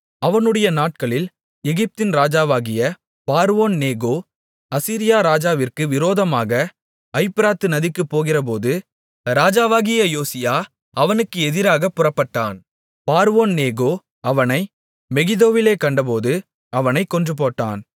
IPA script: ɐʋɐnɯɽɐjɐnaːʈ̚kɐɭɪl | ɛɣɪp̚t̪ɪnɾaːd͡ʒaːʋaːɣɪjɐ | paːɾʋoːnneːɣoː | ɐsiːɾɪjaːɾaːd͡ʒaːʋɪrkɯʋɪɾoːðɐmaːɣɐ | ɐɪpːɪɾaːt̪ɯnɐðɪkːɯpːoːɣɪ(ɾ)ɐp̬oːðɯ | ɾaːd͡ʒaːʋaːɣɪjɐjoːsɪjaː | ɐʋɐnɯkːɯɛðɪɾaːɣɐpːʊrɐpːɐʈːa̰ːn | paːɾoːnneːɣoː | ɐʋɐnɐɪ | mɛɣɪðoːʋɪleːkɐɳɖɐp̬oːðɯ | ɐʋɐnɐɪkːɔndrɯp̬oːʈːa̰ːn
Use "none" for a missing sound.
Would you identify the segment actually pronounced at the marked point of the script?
r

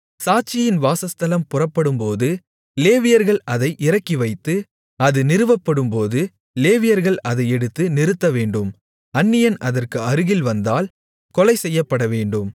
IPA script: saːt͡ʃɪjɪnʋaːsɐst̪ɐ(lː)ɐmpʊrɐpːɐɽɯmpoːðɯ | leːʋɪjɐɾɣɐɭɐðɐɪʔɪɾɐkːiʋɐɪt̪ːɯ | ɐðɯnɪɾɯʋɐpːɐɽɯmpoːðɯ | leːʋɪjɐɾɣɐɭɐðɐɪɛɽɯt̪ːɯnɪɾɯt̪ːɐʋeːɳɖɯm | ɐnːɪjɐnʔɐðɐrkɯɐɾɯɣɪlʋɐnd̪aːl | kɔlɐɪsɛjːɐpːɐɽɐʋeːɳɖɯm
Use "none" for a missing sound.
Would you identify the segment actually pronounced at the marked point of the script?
l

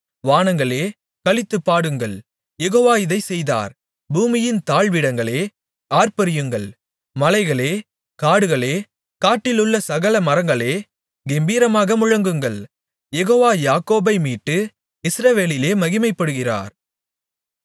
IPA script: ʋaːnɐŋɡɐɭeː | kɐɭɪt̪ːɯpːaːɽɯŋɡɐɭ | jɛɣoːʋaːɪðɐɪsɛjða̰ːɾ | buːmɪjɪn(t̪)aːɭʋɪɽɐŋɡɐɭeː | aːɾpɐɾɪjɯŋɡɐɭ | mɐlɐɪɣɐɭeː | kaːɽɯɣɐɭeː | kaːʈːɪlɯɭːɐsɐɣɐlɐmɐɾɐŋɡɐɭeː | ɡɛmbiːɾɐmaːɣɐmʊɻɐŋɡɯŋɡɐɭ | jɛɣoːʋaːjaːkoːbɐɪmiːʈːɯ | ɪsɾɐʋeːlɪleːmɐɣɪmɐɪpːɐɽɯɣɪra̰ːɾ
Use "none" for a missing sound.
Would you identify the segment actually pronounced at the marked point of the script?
t̪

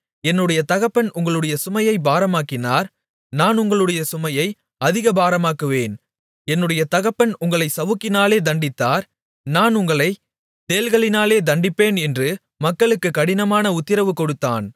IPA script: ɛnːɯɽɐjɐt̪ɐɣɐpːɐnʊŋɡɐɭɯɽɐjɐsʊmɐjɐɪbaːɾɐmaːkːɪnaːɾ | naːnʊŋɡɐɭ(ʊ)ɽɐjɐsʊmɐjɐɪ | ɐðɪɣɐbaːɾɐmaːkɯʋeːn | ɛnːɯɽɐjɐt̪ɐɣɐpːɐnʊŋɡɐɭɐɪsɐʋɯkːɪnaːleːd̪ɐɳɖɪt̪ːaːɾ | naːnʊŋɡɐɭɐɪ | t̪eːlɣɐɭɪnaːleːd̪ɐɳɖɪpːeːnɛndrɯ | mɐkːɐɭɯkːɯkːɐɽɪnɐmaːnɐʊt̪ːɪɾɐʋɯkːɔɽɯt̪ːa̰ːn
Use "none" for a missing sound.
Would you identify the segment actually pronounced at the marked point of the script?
ɯ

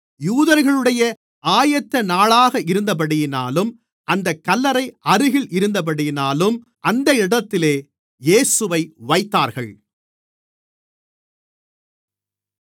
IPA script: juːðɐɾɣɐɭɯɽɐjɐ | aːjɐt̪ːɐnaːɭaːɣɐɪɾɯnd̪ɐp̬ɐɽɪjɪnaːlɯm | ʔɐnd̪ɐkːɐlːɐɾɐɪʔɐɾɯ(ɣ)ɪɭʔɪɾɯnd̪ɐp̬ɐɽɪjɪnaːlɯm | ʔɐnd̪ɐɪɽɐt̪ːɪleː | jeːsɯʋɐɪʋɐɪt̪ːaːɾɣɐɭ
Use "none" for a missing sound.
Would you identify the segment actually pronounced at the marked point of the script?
ɣ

